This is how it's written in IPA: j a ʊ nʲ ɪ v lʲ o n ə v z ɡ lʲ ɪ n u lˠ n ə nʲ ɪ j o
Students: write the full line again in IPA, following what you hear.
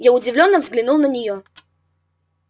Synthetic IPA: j a ʊ dʲ ɪ v lʲ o nː ə v z ɡ lʲ ɪ n u lˠ n ə nʲ ɪ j o

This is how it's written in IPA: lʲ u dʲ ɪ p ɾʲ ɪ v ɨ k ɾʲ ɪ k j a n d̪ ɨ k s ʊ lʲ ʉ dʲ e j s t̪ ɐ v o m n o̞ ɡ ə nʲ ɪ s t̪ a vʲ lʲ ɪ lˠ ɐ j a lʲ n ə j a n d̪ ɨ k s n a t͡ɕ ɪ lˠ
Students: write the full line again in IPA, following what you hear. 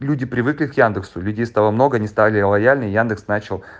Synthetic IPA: lʲ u dʲ ɪ p ɾʲ ɪ v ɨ k lʲ ɪ k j a n d̪ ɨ k s ʊ lʲ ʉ dʲ e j s t̪ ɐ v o m n o̞ ɡ ə nʲ ɪ s t̪ a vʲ lʲ ɪ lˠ ɐ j a lʲ n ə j a n d̪ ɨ k s n a t͡ɕ ɪ lˠ

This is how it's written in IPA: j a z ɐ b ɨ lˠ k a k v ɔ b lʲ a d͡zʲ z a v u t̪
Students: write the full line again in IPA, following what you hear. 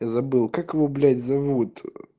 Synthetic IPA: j a z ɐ b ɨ lˠ k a k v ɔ b lʲ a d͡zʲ z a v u t̪

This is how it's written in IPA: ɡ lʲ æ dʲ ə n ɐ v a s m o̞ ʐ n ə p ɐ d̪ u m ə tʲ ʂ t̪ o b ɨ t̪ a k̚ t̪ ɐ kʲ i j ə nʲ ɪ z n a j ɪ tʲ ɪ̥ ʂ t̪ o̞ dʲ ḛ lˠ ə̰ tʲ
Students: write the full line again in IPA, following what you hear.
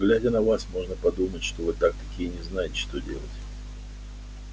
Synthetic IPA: ɡ lʲ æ dʲ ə n ɐ v a s m o̞ ʐ n ə p ɐ d̪ u m ə tʲ ʂ t̪ o v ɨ t̪ a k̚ t̪ ɐ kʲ i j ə nʲ ɪ z n a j ɪ tʲ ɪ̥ ʂ t̪ o̞ dʲ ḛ lˠ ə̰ tʲ

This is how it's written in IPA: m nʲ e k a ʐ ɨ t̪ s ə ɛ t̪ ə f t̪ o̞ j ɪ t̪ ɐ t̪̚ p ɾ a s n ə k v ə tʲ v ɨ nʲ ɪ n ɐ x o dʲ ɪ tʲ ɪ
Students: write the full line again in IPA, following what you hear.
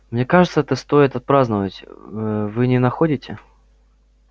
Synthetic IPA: m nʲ e k a ʐ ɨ t̪ s ə ɛ t̪ ə s t̪ o̞ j ɪ t̪ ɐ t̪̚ p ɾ a z n ə v ə tʲ v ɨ nʲ ɪ n ɐ x o dʲ ɪ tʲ ɪ

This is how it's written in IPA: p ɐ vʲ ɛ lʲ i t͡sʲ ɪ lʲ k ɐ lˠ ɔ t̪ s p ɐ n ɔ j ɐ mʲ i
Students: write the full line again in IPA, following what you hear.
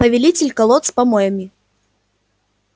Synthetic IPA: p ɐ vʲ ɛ lʲ i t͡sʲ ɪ lʲ k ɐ lˠ ɔ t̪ s p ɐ m ɔ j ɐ mʲ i

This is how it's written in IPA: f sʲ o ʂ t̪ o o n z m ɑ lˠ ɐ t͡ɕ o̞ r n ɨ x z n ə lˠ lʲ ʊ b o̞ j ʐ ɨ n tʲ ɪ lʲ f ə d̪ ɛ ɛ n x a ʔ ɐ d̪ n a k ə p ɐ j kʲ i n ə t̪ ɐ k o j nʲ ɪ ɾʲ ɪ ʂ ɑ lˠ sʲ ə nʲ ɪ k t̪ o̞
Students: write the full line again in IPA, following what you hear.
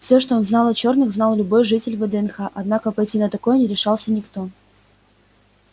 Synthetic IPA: f sʲ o ʂ t̪ o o n z n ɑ lˠ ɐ t͡ɕ o̞ r n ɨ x z n ɑ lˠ lʲ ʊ b o̞ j ʐ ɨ tʲ ɪ lʲ v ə d̪ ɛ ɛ n x a ʔ ɐ d̪ n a k ə p ɐ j tʲ i n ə t̪ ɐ k o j nʲ ɪ ɾʲ ɪ ʂ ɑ lˠ sʲ ə nʲ ɪ k t̪ o̞

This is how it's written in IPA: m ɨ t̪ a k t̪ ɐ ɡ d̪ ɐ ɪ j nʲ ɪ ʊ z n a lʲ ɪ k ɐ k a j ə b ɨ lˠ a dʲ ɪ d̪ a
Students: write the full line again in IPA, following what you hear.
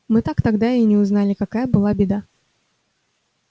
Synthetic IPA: m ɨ t̪ a k t̪ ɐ ɡ d̪ a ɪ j nʲ ɪ ʊ z n a lʲ ɪ k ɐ k a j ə b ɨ lˠ a bʲ ɪ d̪ a

